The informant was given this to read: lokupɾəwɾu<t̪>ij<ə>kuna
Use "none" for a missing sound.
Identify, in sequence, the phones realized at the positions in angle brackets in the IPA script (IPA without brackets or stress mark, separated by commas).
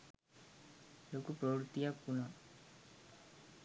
t̪, a